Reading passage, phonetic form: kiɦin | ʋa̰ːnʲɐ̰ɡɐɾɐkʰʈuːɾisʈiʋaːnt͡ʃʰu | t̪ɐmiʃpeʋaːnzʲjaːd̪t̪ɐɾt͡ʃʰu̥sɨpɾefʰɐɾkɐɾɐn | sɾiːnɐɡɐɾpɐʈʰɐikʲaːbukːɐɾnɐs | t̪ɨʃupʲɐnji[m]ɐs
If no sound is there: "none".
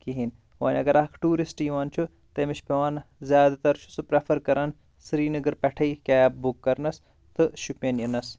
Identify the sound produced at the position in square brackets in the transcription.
n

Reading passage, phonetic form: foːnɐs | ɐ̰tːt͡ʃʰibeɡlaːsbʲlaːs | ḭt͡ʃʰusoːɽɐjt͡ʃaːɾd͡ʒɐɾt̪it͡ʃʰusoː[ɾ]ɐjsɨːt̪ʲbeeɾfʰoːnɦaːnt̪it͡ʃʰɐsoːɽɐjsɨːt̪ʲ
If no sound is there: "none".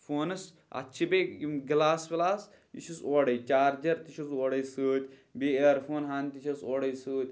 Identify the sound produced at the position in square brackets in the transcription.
ɽ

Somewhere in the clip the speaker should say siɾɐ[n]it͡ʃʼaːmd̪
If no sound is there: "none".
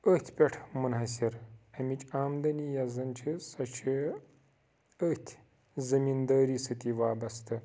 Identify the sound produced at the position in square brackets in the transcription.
m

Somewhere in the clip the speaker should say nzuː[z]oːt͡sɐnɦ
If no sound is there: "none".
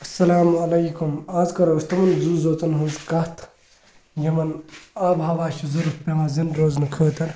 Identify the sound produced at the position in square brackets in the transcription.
z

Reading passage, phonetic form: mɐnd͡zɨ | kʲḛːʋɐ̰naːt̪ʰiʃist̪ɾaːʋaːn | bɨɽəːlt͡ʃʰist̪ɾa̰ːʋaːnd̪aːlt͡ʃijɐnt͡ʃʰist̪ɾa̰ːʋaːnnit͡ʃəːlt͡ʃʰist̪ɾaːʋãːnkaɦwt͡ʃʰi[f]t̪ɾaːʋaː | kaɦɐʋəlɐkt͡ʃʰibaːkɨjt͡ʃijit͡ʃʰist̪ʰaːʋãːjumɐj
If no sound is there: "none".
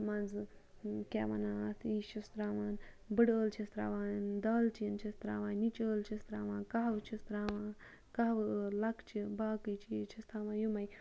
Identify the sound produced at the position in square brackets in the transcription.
s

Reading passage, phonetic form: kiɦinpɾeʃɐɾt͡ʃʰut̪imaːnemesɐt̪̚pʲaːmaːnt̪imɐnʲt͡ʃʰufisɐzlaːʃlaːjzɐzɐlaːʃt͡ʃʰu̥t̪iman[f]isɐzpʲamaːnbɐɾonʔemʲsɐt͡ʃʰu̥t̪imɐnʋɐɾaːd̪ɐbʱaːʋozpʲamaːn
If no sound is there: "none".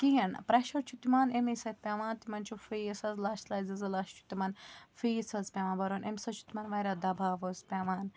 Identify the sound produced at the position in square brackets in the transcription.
f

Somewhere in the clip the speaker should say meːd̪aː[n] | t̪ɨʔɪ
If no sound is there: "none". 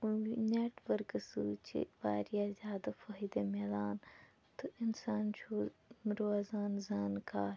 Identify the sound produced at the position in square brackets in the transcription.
n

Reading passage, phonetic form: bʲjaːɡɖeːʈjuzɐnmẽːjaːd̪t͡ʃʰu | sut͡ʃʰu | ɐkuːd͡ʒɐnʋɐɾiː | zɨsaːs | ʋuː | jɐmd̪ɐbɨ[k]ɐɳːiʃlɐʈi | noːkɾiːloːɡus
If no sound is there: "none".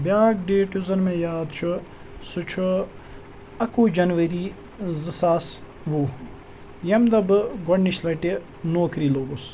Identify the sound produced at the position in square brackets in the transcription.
ɡ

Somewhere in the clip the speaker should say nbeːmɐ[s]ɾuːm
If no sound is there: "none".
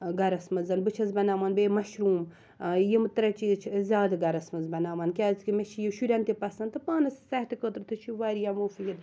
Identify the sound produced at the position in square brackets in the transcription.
ʃ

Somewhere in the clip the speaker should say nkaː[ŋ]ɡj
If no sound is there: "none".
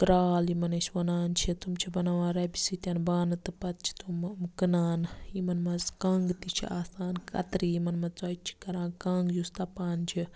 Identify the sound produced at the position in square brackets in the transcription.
ŋ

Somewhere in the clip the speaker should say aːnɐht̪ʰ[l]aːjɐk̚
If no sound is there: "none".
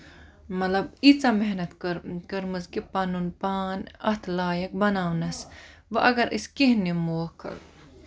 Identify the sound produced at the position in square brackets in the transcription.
l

